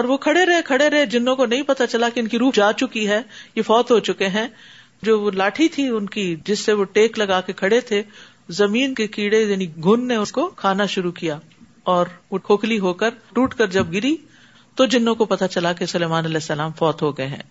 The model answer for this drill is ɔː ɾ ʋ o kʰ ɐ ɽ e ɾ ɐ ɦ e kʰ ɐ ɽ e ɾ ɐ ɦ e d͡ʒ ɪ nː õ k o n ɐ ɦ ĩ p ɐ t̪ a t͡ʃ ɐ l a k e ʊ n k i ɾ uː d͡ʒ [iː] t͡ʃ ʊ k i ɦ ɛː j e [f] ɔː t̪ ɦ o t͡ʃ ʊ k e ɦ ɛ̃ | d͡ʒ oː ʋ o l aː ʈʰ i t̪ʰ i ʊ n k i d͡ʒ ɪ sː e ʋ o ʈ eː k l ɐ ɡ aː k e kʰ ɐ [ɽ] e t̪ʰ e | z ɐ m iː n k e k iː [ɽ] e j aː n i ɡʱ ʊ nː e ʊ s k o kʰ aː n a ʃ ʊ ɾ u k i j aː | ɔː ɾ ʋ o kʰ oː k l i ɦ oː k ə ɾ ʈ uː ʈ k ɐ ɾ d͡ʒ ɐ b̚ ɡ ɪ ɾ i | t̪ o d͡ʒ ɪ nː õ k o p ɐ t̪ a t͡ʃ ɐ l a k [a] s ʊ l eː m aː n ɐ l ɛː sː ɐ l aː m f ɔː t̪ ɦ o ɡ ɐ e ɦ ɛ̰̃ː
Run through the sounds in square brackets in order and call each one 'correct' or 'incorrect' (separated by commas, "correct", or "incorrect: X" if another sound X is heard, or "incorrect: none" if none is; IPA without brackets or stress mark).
incorrect: aː, correct, correct, correct, incorrect: e